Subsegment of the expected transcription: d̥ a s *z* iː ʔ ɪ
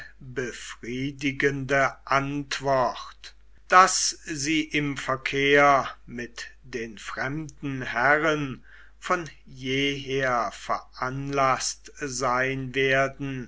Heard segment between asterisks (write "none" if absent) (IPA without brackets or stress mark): z